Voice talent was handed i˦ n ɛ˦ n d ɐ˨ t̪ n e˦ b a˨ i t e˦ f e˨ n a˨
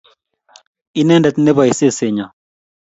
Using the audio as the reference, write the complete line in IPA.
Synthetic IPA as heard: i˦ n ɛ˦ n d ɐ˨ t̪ n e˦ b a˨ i s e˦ s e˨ ɲ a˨